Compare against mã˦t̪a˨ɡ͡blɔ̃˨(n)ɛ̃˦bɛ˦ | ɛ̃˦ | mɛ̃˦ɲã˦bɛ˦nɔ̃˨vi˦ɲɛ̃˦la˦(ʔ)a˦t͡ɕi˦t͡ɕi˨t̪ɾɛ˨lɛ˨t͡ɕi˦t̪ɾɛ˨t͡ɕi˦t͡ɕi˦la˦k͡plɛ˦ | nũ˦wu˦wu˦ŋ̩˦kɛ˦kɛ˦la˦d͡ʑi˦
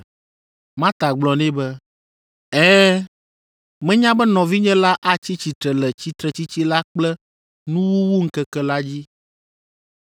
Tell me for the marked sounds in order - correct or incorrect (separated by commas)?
correct, correct